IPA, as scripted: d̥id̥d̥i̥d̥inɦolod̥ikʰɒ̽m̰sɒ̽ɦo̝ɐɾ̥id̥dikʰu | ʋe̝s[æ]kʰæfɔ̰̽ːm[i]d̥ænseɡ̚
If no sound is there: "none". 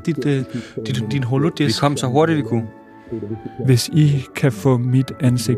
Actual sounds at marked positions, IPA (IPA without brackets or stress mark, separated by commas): i, i